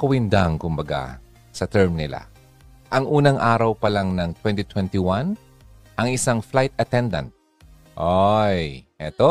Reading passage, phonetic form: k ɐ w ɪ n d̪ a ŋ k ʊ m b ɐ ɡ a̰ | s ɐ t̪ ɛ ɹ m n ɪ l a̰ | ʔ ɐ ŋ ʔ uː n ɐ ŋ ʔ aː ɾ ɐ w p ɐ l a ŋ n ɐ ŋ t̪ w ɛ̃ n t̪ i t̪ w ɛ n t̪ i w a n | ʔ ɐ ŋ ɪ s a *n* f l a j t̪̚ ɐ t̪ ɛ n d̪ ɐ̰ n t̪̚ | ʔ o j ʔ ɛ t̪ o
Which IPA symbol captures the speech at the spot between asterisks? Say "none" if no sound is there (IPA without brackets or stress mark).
ŋ